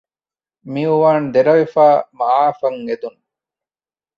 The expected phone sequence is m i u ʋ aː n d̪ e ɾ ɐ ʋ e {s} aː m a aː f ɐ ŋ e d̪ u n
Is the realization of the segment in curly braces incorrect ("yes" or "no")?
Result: yes